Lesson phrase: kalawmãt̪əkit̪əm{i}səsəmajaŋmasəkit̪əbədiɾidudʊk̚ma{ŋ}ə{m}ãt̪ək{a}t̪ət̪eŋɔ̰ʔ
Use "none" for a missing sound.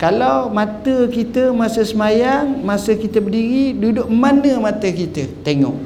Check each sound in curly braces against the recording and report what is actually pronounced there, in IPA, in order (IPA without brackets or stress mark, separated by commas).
a, n, m, i